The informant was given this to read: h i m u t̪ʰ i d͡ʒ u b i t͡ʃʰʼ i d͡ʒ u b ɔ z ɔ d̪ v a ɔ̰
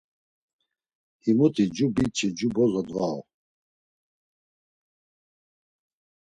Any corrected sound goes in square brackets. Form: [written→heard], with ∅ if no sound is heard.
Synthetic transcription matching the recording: h i m u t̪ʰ i d͡ʒ u b i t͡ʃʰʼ i d͡ʒ u b ɔ z ɔ d̪ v a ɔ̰